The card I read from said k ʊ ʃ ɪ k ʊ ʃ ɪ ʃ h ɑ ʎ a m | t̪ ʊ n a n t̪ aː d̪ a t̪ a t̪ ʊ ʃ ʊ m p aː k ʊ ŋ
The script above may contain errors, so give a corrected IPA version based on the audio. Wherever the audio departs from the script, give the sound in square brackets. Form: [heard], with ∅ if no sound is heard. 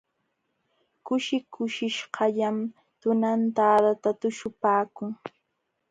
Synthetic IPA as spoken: k ʊ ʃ ɪ k ʊ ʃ ɪ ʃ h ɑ ʎ a m | t̪ ʊ n a n t̪ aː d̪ a t̪ a t̪ ʊ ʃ ʊ [∅] p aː k ʊ ŋ

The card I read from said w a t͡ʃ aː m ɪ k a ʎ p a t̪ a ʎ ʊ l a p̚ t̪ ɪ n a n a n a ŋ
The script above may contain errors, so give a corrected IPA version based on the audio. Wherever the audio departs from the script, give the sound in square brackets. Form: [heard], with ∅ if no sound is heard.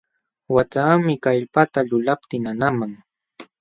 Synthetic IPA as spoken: w a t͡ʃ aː m ɪ k a ʎ p a t̪ a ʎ ʊ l a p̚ t̪ ɪ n a n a [m] a ŋ

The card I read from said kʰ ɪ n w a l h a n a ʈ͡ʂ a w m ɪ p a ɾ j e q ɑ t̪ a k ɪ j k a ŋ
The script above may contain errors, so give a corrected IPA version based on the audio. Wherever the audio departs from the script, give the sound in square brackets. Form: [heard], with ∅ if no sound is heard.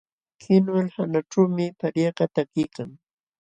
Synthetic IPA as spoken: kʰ ɪ n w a l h a n a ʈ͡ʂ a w m ɪ p a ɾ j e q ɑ t̪ a k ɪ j k a ŋ

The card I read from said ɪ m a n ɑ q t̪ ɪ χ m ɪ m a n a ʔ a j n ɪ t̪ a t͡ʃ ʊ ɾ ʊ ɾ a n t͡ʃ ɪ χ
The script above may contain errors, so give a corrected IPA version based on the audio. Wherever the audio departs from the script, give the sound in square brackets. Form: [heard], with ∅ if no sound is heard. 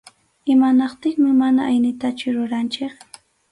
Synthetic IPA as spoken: ɪ m a n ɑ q t̪ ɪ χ m ɪ m a n a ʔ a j n ɪ t̪ a t͡ʃ ʊ ɾ ʊ ɾ a n t͡ʃ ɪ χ

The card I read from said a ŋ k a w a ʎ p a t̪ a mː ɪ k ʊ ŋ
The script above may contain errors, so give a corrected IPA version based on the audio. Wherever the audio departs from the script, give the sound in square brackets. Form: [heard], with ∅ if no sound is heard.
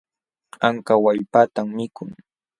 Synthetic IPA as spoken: a ŋ k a w a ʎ p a t̪ a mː ɪ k ʊ ŋ

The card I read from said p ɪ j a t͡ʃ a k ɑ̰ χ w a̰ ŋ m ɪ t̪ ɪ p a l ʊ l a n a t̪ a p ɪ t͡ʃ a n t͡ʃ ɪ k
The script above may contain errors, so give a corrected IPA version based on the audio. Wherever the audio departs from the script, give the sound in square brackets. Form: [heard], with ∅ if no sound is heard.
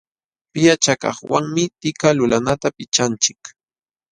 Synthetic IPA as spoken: p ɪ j a t͡ʃ a k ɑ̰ χ w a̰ ŋ m ɪ t̪ ɪ [k] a l ʊ l a n a t̪ a p ɪ t͡ʃ a n t͡ʃ ɪ k

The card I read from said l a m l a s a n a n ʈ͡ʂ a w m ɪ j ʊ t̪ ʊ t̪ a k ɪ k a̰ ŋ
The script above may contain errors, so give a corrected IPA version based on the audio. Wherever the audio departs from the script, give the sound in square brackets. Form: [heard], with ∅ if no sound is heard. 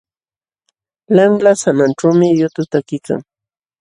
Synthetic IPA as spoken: l a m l a s a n a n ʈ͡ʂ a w m ɪ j ʊ t̪ ʊ t̪ a k ɪ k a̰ ŋ

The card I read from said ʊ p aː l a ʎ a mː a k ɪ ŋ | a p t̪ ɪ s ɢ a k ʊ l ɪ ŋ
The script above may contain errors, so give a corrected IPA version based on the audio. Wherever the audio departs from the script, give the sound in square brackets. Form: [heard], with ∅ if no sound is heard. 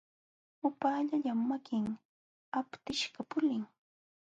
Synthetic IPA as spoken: ʊ p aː [ʎ] a ʎ a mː a k ɪ ŋ | a p t̪ ɪ [ʃ] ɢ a [p] ʊ l ɪ ŋ

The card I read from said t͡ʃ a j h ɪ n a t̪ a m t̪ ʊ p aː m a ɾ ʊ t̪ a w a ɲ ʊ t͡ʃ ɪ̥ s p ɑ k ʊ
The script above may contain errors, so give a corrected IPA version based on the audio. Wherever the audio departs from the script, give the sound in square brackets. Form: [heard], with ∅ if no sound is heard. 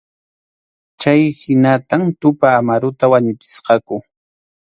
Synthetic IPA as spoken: t͡ʃ a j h ɪ n a t̪ a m t̪ ʊ p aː m a ɾ ʊ t̪ a w a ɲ ʊ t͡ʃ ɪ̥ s [q] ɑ k ʊ

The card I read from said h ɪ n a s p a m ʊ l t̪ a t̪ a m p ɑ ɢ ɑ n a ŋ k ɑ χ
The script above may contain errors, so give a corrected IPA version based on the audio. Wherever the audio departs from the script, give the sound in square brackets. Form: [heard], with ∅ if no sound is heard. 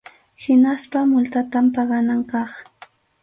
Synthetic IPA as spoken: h ɪ n a s p a m ʊ l t̪ a t̪ a m p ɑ ɢ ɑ n a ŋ k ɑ χ

